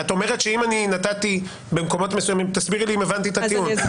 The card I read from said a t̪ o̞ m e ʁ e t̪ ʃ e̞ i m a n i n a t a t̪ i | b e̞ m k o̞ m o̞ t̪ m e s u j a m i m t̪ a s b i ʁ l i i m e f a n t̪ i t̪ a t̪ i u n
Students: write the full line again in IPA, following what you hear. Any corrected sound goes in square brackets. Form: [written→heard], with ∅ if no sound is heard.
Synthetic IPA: a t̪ o̞ m e ʁ e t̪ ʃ e̞ i m a n i n a t a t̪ i | b e̞ m k o̞ m o̞ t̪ m e s u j a m i m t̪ a s b i ʁ l i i m e [f→v] a n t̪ i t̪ a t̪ i u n